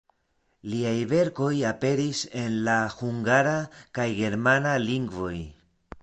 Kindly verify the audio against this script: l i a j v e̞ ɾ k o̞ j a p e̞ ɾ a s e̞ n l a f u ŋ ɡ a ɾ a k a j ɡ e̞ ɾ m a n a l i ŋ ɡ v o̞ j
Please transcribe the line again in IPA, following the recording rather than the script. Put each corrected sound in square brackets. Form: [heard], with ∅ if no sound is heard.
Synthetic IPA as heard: l i a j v e̞ ɾ k o̞ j a p e̞ ɾ [i] s e̞ n l a [h] u ŋ ɡ a ɾ a k a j ɡ e̞ ɾ m a n a l i ŋ ɡ v o̞ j